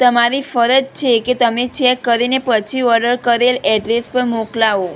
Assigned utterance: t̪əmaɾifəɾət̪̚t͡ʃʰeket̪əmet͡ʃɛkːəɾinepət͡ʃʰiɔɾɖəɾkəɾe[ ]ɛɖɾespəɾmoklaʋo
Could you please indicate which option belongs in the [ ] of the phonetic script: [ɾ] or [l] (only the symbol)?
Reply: l